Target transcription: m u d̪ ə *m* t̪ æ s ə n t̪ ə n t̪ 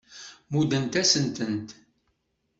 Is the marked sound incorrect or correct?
incorrect: n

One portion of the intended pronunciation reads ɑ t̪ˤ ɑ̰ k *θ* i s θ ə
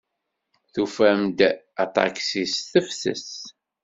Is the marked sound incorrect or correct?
incorrect: s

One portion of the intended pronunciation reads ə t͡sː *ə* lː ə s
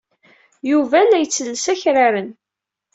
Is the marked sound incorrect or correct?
correct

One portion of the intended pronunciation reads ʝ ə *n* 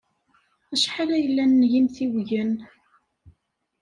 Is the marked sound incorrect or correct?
correct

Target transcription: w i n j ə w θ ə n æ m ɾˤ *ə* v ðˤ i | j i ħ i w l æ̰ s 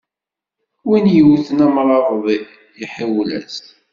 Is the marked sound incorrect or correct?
incorrect: ɑ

